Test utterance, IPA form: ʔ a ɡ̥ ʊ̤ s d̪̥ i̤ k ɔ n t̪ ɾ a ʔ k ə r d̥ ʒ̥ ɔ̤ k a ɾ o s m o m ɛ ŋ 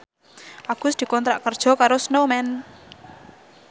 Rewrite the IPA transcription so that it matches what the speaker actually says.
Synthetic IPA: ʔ a ɡ̥ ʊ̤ s d̪̥ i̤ k ɔ n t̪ ɾ a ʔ k ə r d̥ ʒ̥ ɔ̤ k a ɾ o s n o m ɛ n

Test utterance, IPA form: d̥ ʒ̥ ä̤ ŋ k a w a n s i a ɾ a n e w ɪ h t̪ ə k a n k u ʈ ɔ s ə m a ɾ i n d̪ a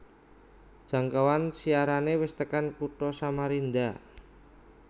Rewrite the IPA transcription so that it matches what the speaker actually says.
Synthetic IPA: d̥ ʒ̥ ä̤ ŋ k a w a n s i a ɾ a n e w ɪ s t̪ ə k a n k u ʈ ɔ s a m a ɾ i n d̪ a

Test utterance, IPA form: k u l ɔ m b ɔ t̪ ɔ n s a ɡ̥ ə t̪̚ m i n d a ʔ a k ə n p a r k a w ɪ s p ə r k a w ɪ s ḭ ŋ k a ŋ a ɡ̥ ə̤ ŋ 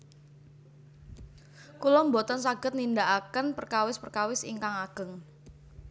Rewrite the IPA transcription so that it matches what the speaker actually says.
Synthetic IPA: k u l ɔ m b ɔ t̪ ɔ n s a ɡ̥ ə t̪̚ n i n d a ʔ a k ə n p ə r k a w ɪ s p ə r k a w ɪ s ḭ ŋ k a ŋ a ɡ̥ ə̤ ŋ

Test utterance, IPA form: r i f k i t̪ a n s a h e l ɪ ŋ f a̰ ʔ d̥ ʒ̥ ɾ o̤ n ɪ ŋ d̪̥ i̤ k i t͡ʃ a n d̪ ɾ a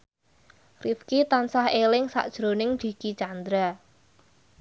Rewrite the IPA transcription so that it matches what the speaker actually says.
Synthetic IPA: r i f k i t̪ a n s a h e l ɪ ŋ s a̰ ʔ d̥ ʒ̥ ɾ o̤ n ɪ ŋ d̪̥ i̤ k i t͡ʃ a n d̪ ɾ a

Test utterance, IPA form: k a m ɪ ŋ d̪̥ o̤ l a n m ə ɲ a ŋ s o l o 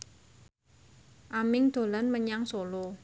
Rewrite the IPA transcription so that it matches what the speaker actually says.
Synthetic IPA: ʔ a m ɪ ŋ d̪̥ o̤ l a n m ə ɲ a ŋ s o l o

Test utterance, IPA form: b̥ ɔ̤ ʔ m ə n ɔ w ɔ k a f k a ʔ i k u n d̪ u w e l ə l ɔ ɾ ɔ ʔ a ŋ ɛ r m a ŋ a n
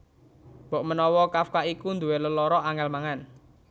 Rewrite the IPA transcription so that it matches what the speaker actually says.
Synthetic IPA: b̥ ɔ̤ ʔ m ə n ɔ w ɔ k a f k a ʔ i k u n d̪ u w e l ə l ɔ ɾ ɔ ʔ a ŋ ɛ l m a ŋ a n

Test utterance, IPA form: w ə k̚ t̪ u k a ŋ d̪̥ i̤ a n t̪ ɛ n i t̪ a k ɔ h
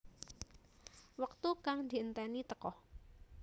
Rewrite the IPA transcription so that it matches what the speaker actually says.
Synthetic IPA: w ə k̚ t̪ u k a ŋ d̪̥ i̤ ə n t̪ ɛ n i t̪ ə k ɔ h

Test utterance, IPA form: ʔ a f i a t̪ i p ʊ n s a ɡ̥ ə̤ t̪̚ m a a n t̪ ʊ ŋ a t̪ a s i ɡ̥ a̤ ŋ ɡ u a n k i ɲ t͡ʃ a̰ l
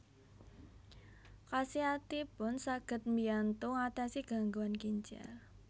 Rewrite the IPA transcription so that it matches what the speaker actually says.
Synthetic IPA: k a s i a t̪ i p ʊ n s a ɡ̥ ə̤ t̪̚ m i a n t̪ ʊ ŋ a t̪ a s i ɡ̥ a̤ ŋ ɡ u a n k i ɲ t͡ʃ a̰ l

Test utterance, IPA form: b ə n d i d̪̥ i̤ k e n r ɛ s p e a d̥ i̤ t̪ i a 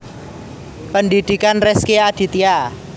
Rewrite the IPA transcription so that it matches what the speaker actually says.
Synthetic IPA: p ə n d i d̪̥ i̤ k a n r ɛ s k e a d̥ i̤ t̪ i a

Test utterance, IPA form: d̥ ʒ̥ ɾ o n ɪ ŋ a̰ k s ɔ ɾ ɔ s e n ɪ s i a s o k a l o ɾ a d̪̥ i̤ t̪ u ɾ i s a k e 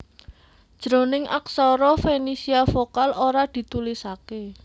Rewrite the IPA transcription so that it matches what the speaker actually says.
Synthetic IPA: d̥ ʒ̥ ɾ o n ɪ ŋ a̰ k s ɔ ɾ ɔ f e n i s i a f o k a l o ɾ a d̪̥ i̤ t̪ u l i s a k e

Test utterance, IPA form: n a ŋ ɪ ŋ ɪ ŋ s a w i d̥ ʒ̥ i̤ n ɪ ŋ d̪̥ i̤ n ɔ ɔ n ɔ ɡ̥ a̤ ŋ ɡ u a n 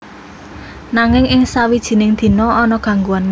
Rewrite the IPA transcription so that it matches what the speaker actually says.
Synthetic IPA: n a ŋ ɪ ŋ ɪ ŋ s a w i d̥ ʒ̥ i̤ n ɪ ŋ d̪̥ i̤ n ɔ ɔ n ɔ ɡ̥ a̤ ŋ ɡ u a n

